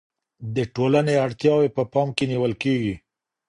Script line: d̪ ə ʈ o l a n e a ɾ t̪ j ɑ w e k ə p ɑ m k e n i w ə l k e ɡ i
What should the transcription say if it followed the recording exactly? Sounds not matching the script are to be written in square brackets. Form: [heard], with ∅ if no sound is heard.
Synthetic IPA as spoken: d̪ ə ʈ o l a n e a [ɽ] t̪ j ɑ w e [p] ə p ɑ m k e n i w ə l k e ɡ i